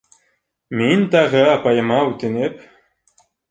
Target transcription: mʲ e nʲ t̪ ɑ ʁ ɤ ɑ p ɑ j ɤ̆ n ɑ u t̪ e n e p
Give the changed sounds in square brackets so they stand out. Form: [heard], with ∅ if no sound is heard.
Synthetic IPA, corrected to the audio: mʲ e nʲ t̪ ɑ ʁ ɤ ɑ p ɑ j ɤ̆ [m] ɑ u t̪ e n e p